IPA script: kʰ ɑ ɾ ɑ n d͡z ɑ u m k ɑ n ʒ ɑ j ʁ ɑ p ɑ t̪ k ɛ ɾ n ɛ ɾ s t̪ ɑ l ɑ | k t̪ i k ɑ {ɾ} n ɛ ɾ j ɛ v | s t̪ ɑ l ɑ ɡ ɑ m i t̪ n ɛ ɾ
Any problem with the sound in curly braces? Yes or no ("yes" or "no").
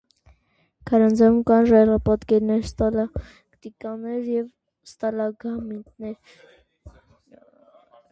yes